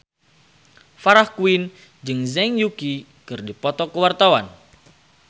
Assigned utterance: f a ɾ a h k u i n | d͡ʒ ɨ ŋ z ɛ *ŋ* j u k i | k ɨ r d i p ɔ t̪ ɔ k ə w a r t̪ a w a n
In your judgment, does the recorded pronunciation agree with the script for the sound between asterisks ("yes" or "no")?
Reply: yes